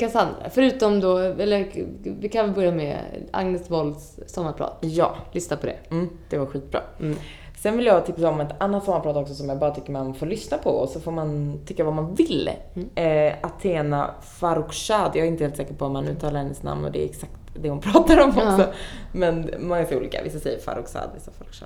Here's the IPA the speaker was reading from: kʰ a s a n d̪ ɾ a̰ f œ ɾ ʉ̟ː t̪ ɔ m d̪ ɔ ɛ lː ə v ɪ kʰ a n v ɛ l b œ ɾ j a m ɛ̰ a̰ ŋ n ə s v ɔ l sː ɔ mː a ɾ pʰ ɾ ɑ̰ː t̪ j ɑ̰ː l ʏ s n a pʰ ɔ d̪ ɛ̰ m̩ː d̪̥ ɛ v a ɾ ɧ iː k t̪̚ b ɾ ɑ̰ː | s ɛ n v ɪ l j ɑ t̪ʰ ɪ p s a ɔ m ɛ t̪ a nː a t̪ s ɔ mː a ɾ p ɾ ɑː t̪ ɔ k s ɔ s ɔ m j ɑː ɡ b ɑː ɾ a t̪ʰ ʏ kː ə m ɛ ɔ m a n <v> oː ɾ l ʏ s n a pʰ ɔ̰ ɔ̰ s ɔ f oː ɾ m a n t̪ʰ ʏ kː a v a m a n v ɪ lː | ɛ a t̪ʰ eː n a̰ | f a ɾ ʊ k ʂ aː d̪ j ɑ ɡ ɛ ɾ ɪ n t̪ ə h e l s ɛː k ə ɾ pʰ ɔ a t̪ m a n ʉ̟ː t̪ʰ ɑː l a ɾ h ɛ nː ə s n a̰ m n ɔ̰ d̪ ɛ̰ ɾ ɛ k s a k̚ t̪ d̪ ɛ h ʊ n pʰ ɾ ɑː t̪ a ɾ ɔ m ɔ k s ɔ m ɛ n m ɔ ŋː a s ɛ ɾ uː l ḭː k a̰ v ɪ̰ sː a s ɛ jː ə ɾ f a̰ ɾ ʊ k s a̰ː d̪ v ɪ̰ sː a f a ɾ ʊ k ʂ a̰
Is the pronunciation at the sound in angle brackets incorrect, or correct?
incorrect